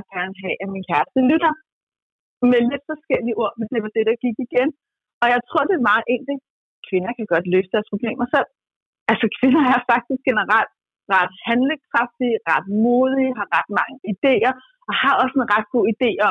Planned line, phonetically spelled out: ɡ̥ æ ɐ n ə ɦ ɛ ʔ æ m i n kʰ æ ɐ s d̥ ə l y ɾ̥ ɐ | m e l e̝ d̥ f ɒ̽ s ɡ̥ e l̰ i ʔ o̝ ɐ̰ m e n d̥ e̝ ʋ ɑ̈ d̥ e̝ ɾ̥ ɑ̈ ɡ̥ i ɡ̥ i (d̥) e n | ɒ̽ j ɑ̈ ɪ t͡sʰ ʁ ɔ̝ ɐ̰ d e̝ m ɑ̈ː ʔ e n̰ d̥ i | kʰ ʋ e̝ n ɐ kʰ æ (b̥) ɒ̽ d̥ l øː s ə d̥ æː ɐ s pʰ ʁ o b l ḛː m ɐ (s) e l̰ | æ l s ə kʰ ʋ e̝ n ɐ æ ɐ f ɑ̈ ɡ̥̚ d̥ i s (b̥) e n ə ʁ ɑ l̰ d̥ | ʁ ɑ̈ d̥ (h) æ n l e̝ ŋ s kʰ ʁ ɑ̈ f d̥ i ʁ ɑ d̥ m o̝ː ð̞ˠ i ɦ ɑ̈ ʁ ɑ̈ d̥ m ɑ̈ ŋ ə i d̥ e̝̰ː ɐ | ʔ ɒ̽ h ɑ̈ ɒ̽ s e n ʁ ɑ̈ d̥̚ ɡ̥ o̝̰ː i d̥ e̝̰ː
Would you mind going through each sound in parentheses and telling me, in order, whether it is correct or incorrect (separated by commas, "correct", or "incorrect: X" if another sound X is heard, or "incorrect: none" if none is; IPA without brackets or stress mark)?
incorrect: ɡ̥, incorrect: ɡ̥, correct, incorrect: ɡ̥, correct